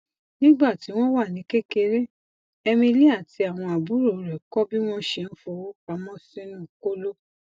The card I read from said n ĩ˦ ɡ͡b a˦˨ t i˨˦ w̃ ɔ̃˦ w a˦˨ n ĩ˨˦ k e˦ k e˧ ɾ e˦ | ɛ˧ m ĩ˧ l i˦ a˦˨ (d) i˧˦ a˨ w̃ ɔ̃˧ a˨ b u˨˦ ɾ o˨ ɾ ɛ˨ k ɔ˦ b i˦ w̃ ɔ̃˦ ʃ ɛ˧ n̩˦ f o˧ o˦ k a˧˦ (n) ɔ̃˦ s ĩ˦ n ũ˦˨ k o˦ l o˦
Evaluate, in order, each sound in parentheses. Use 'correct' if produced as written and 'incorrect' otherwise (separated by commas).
incorrect, incorrect